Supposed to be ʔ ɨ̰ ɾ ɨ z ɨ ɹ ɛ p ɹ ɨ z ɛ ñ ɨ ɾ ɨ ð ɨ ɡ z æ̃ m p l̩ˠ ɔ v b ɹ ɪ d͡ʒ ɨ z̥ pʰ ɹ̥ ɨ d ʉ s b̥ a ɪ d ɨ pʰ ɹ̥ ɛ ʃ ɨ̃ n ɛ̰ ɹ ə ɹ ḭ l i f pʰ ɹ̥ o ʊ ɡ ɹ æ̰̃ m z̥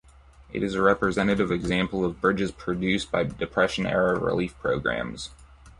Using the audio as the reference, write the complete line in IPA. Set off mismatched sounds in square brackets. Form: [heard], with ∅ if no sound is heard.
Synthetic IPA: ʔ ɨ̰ ɾ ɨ z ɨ ɹ ɛ p ɹ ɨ z ɛ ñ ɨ ɾ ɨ [v] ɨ ɡ z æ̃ m p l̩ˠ [ʌ] v b ɹ ɪ d͡ʒ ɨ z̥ pʰ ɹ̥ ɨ d ʉ s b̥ a ɪ d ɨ pʰ ɹ̥ ɛ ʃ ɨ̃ n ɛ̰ ɹ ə ɹ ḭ l i f pʰ ɹ̥ o ʊ ɡ ɹ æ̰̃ m z̥